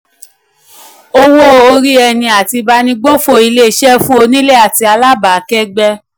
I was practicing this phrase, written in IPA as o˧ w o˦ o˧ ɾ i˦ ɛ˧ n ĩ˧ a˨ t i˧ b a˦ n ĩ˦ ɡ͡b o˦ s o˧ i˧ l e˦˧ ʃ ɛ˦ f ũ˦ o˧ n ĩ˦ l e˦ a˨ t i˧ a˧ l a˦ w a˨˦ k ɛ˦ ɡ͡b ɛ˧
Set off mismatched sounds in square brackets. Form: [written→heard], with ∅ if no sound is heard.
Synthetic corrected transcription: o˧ w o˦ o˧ ɾ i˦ ɛ˧ n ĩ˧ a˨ t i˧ b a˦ n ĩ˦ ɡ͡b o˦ [s→f] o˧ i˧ l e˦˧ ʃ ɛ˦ f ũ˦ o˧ n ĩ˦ l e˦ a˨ t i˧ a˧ l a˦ [w→b] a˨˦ k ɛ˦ ɡ͡b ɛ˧